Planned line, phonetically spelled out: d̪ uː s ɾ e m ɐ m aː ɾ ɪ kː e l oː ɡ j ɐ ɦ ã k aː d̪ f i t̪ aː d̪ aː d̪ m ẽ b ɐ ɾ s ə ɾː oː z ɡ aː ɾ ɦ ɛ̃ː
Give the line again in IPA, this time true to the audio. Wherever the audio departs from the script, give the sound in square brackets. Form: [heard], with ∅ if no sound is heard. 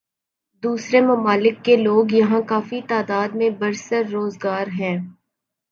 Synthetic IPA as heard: d̪ uː s ɾ e m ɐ m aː [l] ɪ kː e l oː ɡ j ɐ ɦ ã k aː [∅] f i t̪ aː d̪ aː d̪ m ẽ b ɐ ɾ s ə ɾː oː z ɡ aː ɾ ɦ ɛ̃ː